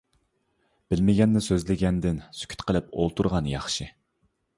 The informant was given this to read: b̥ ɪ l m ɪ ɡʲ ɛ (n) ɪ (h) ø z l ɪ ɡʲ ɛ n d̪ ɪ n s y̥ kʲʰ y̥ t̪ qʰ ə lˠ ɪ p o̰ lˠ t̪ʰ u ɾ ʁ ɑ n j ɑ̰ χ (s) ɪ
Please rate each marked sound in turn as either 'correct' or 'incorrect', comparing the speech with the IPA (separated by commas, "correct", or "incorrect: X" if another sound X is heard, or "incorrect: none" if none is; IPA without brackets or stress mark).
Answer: incorrect: nː, incorrect: s, incorrect: ʃ